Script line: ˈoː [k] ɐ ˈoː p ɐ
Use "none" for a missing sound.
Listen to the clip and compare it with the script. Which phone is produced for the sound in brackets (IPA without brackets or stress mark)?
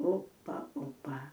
p